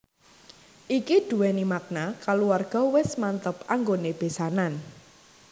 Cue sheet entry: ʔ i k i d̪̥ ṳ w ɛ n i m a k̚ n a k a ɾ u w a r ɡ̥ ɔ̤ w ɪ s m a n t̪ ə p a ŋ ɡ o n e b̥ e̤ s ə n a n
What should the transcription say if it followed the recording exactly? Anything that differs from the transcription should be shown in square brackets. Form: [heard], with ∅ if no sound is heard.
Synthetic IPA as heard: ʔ i k i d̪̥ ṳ w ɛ n i m a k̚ n a k a [l] u w a r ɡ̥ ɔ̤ w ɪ s m a n t̪ ə p a ŋ ɡ o n e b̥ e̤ s [a] n a n